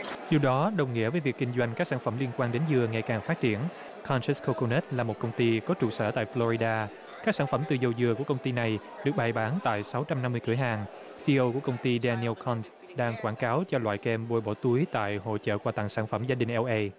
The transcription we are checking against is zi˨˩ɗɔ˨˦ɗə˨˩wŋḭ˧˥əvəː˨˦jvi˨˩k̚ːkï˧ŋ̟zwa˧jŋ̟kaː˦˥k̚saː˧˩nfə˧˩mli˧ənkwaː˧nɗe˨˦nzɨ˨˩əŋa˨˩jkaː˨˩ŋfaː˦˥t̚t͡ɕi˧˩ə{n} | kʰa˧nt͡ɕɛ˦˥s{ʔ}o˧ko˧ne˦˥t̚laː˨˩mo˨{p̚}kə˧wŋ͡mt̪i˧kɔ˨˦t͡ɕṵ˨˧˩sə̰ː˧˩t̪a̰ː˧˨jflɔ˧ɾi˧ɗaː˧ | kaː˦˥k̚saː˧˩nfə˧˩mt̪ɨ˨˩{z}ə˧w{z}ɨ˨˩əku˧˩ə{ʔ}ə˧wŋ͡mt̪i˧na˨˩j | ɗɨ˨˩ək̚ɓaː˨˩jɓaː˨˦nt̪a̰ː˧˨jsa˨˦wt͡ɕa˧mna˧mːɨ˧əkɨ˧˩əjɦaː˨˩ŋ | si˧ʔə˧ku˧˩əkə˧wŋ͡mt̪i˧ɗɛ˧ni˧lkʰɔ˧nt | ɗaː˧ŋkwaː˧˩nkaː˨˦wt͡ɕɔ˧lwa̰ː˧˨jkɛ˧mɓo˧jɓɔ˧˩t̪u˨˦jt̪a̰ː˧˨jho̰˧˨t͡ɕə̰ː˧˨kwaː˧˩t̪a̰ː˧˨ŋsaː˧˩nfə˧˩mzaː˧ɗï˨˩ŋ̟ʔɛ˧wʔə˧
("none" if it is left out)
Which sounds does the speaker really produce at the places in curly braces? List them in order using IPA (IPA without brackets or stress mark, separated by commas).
n, k, t̚, z, z, k